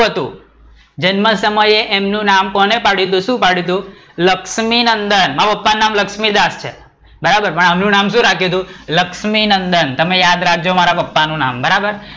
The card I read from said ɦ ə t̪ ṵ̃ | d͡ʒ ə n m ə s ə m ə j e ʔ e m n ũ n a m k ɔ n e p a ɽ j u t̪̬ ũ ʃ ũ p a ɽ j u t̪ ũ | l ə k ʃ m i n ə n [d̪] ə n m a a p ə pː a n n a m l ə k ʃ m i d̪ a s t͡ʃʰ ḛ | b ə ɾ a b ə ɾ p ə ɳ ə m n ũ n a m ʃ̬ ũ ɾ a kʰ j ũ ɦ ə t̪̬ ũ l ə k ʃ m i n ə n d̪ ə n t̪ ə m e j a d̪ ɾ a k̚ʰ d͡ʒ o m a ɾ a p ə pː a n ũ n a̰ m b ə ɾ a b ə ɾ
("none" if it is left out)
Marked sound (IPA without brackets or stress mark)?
d̪